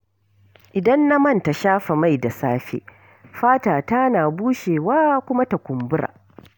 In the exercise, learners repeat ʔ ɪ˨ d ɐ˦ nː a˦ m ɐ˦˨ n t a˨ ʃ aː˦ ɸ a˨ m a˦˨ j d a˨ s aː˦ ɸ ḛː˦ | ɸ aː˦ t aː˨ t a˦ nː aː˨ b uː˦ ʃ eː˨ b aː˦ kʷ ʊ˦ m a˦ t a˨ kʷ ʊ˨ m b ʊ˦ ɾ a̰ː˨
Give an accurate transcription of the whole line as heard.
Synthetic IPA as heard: ʔ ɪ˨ d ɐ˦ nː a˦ m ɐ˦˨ n t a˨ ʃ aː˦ ɸ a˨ m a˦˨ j d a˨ s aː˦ ɸ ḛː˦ | ɸ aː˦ t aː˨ t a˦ n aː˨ b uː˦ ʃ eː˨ w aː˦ kʷ ʊ˦ m a˦ t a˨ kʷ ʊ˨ m b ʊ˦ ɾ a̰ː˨

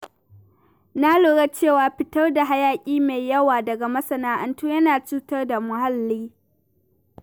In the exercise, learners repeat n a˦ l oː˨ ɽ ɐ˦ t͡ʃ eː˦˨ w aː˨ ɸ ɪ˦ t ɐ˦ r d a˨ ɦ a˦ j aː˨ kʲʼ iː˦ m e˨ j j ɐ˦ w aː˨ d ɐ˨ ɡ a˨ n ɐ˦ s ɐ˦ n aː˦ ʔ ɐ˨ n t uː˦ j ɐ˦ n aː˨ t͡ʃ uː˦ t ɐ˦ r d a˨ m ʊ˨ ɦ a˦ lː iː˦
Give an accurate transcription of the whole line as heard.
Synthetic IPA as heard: n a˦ l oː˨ ɽ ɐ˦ t͡ʃ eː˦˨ w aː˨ ɸ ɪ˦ t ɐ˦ r d a˨ ɦ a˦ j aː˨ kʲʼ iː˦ m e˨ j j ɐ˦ w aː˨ d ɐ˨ ɡ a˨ m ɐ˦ s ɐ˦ n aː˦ ʔ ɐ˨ n t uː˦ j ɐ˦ n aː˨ t͡ʃ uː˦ t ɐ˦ r d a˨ m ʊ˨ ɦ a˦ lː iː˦

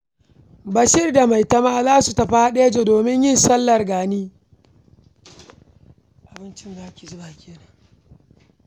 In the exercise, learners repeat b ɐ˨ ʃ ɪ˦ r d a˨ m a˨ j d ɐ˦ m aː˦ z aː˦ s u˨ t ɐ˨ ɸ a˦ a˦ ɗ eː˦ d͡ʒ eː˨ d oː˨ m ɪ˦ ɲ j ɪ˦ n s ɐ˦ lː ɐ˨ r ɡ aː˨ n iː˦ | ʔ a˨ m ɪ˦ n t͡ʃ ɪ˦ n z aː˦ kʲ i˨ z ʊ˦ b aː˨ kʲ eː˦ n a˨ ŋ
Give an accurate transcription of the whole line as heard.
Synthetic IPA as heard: b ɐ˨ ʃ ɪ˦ r d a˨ m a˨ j t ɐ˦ m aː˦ z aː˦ s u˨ t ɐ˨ ɸ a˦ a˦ ɗ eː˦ d͡ʒ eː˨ d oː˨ m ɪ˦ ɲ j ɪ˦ n s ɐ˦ lː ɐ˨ r ɡ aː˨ n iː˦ | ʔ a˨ b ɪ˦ n t͡ʃ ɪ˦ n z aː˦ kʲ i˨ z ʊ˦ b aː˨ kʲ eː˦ n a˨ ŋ

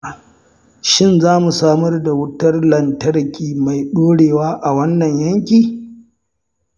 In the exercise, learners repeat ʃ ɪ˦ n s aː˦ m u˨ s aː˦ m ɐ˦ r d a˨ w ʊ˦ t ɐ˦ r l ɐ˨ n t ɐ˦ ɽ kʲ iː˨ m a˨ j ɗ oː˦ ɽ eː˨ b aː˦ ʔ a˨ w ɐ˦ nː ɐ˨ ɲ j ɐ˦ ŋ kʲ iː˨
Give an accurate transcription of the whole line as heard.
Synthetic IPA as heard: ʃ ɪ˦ n z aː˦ m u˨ s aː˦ m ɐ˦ r d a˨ w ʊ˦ t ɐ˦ r l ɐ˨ n t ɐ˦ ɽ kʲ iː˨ m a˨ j ɗ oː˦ ɽ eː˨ w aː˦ ʔ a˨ w ɐ˦ nː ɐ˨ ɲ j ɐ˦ ŋ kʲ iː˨

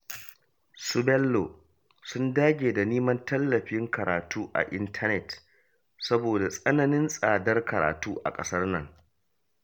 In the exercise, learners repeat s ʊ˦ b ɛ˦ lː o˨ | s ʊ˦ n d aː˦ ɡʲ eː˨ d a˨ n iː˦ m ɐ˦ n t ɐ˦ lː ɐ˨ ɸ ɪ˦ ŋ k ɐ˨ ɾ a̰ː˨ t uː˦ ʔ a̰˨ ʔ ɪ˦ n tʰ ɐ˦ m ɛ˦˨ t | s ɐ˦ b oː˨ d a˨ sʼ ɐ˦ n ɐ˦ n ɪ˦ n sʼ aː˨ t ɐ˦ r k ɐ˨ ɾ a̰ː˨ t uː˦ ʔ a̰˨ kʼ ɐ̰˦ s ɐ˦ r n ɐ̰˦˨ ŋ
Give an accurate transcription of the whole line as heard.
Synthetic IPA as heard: s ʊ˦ b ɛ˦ lː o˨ | s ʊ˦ n d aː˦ ɡʲ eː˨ d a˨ n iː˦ m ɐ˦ n t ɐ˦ lː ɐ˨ ɸ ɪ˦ ŋ k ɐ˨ ɾ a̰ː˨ t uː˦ ʔ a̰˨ ʔ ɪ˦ n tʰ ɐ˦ n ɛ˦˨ t | s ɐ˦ b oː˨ d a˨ sʼ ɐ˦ n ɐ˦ n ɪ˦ n sʼ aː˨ d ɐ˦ r k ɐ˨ ɾ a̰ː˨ t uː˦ ʔ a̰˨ kʼ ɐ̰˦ s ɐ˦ r n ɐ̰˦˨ ŋ

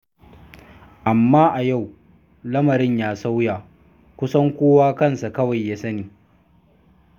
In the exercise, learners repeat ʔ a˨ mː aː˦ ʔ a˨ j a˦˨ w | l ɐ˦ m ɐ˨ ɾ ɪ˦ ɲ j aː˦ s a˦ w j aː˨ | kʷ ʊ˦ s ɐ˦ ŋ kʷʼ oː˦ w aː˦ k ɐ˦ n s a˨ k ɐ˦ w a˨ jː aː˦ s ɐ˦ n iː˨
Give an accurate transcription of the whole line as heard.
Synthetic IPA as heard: ʔ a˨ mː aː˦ ʔ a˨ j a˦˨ w | l ɐ˦ m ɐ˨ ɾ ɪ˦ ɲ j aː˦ s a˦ w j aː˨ | kʷ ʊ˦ s ɐ˦ ŋ kʷ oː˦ w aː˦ k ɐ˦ n s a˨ k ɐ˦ w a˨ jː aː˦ s ɐ˦ n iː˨

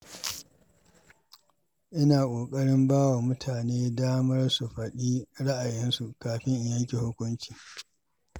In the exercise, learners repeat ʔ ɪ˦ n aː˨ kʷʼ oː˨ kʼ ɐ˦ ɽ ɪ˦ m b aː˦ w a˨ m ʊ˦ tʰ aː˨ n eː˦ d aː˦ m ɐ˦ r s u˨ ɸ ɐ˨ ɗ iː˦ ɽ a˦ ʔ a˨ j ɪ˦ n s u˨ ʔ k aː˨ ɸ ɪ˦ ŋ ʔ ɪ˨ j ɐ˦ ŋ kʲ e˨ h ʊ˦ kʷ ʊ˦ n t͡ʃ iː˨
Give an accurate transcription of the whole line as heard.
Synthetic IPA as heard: ʔ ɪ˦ n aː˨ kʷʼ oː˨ kʼ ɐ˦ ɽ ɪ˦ m b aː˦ w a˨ m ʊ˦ tʰ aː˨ n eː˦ d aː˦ m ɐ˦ r s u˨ ɸ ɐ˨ ɗ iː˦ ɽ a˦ ʔ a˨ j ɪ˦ n s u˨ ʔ k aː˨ ɸ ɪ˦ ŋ ʔ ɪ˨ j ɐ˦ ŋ kʲ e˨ h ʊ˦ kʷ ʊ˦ n t͡ʃ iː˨

